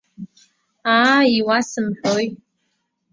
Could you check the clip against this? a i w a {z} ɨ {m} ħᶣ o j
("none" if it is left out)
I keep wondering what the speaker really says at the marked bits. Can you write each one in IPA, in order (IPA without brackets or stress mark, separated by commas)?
s, m